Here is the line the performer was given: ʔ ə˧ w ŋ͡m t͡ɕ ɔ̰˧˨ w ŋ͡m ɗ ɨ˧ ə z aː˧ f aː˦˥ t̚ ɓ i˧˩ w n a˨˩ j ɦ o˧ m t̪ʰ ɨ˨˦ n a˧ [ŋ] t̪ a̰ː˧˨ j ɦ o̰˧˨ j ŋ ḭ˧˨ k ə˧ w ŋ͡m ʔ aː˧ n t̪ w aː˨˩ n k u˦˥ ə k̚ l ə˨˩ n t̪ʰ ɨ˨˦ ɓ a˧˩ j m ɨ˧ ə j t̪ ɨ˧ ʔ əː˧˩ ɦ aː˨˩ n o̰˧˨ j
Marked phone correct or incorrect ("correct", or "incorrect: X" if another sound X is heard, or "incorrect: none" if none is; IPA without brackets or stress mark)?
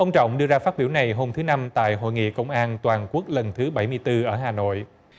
incorrect: m